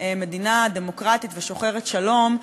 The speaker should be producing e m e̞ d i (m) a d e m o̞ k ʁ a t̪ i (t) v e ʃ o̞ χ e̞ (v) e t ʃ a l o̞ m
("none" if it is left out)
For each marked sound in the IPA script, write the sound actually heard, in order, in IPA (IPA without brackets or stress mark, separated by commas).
n, t, ʁ